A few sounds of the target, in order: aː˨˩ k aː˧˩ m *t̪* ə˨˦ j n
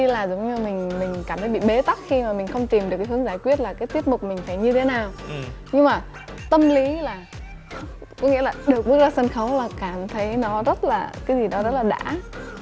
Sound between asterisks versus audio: incorrect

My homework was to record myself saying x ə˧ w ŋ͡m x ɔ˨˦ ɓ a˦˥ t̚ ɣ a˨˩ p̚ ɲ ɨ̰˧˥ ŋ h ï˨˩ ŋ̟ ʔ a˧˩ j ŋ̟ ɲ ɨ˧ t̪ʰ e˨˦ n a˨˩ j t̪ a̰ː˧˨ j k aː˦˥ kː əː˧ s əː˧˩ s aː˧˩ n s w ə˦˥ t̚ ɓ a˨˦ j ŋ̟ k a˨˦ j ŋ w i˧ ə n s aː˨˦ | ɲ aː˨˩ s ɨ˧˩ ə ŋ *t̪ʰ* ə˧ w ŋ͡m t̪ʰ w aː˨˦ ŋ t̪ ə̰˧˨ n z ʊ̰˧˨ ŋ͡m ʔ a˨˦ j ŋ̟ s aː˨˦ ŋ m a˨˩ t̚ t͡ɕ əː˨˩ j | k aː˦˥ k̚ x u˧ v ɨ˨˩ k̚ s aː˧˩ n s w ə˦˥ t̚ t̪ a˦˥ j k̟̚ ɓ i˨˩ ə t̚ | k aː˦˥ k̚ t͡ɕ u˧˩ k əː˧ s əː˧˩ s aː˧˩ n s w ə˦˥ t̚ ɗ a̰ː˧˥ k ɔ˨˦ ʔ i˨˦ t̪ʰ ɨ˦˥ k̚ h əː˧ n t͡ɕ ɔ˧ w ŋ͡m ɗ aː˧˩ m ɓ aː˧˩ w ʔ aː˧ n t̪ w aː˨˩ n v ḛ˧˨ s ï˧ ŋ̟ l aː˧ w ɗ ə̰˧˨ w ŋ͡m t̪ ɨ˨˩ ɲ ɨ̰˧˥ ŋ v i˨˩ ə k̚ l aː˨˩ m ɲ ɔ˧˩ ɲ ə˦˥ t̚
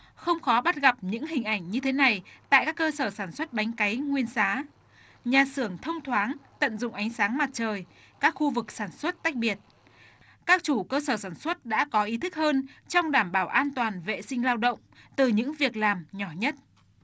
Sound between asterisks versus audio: correct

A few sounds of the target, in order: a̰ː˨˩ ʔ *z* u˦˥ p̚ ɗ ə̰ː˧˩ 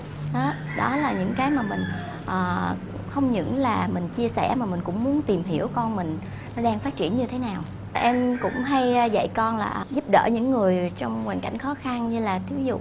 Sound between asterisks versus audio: correct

